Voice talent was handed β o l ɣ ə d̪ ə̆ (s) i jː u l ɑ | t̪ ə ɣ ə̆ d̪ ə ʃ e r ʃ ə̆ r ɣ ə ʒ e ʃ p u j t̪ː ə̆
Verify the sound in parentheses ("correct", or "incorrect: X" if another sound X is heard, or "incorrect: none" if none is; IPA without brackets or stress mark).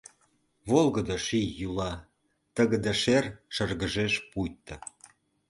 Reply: incorrect: ʃ